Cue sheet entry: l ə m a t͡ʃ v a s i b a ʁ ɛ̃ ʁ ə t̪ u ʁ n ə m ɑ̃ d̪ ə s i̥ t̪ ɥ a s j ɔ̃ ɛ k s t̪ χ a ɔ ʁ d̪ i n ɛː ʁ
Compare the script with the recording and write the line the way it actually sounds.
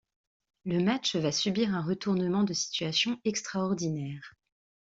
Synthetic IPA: l ə m a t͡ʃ v a s y b i ʁ ɛ̃ ʁ ə t̪ u ʁ n ə m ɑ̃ d̪ ə s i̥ t̪ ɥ a s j ɔ̃ ɛ k s t̪ χ a ɔ ʁ d̪ i n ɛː ʁ